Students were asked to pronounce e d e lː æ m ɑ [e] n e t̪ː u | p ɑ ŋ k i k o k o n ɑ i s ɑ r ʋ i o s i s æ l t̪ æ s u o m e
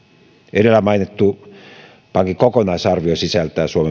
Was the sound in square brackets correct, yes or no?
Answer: no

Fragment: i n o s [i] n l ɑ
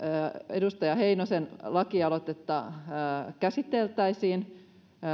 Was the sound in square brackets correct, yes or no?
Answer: no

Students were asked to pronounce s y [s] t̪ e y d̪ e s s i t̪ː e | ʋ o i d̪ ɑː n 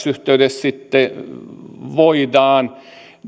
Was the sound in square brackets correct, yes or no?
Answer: no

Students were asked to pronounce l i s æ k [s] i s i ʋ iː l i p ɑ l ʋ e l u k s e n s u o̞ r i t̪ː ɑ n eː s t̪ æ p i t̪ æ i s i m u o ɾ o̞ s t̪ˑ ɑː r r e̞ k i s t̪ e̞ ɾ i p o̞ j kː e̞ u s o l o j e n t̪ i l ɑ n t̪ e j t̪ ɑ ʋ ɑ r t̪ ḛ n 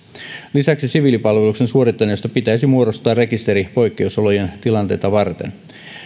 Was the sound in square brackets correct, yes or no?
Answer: yes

